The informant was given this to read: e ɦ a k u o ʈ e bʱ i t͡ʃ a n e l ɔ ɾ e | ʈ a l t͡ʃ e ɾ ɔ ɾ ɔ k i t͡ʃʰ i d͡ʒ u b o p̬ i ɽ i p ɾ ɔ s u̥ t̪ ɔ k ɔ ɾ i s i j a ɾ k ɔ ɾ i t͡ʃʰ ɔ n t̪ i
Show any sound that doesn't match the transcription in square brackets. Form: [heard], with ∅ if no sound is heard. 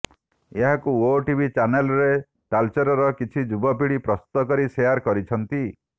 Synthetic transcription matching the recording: e ɦ a k u o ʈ [i] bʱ i t͡ʃ a n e l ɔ ɾ e | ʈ a l t͡ʃ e ɾ ɔ ɾ ɔ k i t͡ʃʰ i d͡ʒ u b [ɔ] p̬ i ɽ i p ɾ ɔ s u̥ t̪ ɔ k ɔ ɾ i s [e] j a ɾ k ɔ ɾ i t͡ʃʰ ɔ n t̪ i